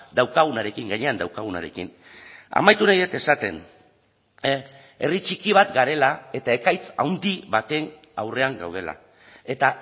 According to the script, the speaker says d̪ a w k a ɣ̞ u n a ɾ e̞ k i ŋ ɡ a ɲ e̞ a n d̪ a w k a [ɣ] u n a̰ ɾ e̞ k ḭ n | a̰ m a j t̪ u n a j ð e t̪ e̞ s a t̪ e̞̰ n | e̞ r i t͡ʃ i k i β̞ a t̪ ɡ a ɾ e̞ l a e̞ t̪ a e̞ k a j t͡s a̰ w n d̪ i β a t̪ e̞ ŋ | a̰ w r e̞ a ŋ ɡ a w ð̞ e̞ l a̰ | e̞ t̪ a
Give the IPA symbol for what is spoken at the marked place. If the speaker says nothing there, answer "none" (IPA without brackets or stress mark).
ɣ